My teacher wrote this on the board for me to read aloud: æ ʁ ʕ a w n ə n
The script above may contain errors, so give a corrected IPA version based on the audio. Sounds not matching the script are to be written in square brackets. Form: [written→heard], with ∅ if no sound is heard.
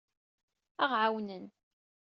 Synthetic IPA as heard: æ ʁ ʕ a w n ə n